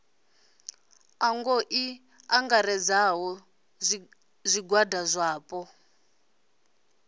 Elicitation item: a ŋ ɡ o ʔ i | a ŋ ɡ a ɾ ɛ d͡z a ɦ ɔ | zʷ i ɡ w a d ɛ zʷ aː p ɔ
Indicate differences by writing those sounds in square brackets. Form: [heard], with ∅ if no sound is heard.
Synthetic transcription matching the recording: a ŋ ɡ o ʔ i | a ŋ ɡ a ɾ ɛ d͡z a ɦ ɔ | zʷ i ɡ w a d [a] zʷ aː p ɔ